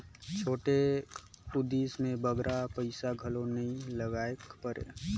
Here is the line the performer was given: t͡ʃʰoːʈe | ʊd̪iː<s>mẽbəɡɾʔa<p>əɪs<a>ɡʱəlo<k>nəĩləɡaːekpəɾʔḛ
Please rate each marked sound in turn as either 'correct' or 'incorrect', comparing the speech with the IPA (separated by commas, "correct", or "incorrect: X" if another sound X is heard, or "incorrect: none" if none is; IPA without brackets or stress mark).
correct, correct, correct, incorrect: none